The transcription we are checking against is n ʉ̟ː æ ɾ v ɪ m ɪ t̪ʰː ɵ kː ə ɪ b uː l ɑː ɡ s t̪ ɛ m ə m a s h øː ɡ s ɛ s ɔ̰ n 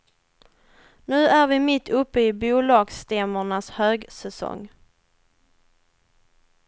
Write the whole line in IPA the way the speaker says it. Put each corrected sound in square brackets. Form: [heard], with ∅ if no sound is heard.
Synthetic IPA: n ʉ̟ː æ ɾ v ɪ m ɪ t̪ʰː ɵ [pː] ə ɪ b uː l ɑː ɡ s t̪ ɛ m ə [ɳ] a s h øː ɡ s ɛ s ɔ̰ [ŋ]